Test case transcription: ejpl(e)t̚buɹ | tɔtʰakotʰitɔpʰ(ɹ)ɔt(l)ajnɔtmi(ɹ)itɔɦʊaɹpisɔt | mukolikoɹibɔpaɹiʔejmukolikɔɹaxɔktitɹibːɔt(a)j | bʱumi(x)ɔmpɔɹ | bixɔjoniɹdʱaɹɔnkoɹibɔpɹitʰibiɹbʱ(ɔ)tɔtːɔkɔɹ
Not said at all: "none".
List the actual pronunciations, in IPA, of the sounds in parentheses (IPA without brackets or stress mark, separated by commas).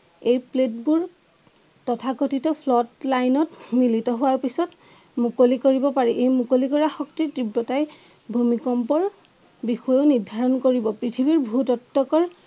e, l, l, l, a, k, u